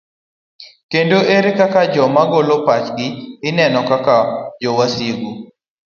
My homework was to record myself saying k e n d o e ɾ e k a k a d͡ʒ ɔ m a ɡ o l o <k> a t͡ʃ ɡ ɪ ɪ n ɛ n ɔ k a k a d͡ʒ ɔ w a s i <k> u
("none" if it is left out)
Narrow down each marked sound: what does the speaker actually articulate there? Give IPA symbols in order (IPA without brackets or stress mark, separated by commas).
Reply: p, ɡ